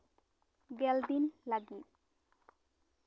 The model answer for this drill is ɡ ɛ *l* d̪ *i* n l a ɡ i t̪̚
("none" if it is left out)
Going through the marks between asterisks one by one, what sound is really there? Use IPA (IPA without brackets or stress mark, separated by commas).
l, i